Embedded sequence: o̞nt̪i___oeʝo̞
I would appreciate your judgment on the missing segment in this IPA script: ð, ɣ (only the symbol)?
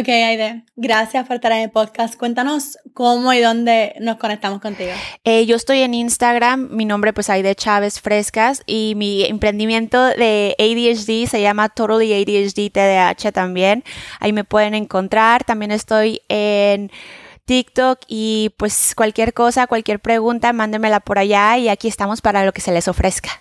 ɣ